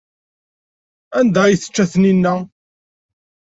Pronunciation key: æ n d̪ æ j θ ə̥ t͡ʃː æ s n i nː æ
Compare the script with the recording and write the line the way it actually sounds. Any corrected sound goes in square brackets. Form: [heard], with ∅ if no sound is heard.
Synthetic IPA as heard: æ n d̪ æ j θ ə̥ t͡ʃː æ [θ] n i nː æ